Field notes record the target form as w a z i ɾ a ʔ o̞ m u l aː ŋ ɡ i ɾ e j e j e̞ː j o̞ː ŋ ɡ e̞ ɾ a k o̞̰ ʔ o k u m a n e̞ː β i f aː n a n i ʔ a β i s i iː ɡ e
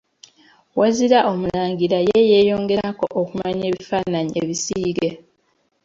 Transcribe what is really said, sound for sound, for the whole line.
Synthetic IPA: w a z i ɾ a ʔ o̞ m u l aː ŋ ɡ i ɾ a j e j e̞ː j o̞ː ŋ ɡ e̞ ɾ a k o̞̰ ʔ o k u m a ɲ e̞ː β i f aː n a ɲ i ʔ e β i s i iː ɡ e